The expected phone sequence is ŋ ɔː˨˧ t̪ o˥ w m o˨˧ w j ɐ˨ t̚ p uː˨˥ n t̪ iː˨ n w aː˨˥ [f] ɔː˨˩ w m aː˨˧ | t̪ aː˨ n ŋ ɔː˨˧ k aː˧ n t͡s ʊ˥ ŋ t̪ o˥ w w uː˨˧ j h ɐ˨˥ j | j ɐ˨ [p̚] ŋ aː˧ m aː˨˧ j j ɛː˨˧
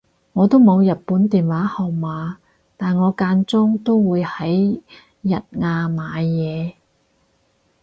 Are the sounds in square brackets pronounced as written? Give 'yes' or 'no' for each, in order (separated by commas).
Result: no, no